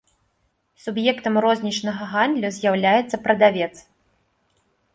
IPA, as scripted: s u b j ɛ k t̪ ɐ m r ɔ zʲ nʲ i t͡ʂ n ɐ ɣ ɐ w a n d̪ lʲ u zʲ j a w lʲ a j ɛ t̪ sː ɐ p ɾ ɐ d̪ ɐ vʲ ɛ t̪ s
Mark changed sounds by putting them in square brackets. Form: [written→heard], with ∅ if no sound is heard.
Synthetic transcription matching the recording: s u b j ɛ k t̪ ɐ m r ɔ zʲ nʲ i t͡ʂ n ɐ ɣ ɐ [w→ɣ] a n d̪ lʲ u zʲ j a w lʲ a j ɛ t̪ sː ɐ p ɾ ɐ d̪ [ɐ→a] vʲ ɛ t̪ s